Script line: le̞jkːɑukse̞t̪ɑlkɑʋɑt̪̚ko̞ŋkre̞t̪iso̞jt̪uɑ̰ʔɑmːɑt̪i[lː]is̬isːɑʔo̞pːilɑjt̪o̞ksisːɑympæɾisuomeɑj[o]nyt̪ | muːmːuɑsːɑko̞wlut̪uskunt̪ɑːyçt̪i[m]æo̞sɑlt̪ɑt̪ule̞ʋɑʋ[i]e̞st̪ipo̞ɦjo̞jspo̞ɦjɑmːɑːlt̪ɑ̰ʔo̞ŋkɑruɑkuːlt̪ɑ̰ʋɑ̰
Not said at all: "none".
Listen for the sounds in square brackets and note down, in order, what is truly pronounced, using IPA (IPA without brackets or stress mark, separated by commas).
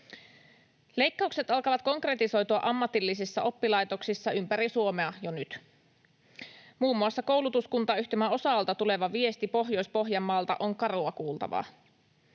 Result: lː, o, m, i